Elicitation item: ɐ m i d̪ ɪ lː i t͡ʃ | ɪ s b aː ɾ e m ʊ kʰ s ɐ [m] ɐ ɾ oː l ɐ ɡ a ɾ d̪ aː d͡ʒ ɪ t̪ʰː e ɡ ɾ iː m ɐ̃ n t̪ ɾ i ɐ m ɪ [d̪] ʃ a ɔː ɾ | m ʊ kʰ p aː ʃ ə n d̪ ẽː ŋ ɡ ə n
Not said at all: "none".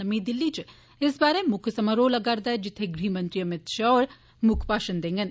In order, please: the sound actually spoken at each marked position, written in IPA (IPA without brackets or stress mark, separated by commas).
m, t̪